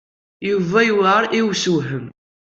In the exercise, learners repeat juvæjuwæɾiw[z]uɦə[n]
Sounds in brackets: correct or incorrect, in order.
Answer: incorrect, incorrect

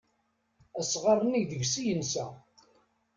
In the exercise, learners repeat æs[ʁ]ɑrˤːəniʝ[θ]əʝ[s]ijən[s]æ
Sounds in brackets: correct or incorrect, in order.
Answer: correct, incorrect, correct, correct

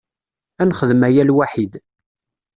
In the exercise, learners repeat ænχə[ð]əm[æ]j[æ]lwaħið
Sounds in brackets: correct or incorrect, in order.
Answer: correct, correct, correct

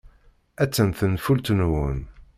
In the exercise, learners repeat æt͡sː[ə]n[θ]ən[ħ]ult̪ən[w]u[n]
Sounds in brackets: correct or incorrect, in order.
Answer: correct, correct, incorrect, correct, correct

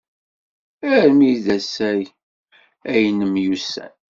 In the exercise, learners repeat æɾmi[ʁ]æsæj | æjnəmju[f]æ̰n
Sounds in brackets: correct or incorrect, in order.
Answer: incorrect, incorrect

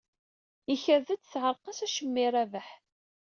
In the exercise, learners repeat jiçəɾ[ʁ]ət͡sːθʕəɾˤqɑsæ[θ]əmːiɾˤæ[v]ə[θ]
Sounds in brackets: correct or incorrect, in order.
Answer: incorrect, incorrect, correct, incorrect

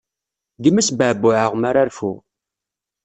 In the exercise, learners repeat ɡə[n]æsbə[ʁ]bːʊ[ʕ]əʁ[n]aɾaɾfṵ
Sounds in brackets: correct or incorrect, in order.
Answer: incorrect, incorrect, correct, incorrect

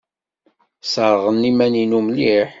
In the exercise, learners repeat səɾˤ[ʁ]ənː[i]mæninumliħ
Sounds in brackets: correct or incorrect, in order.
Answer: correct, correct

